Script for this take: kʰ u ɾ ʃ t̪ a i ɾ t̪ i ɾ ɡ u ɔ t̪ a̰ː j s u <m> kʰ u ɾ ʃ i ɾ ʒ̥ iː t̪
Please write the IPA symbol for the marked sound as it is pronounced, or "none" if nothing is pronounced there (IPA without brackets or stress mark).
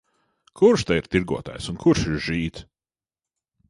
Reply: n